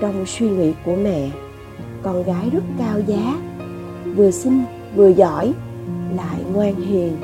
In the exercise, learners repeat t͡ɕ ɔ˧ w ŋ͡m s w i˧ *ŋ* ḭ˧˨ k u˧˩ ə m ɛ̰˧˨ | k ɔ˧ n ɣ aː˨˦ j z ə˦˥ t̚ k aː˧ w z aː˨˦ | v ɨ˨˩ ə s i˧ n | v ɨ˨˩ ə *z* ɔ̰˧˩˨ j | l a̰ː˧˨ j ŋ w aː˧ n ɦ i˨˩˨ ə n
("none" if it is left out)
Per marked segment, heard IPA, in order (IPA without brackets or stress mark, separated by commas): ŋ, z